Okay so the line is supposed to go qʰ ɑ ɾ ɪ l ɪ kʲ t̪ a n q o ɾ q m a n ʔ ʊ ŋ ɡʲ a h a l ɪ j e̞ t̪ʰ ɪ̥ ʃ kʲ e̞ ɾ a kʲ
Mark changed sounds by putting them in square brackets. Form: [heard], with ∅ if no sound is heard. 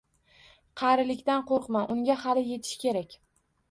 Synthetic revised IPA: qʰ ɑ ɾ ɪ l ɪ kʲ t̪ a n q o ɾ q m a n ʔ ʊ ŋ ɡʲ a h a l ɪ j e̞ t̪ʰ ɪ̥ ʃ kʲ e̞ ɾ a kʲ